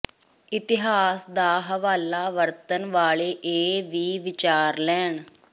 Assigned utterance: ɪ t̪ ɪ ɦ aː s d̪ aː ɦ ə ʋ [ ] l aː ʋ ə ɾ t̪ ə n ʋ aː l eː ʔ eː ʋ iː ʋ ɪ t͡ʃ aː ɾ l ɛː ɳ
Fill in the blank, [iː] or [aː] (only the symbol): aː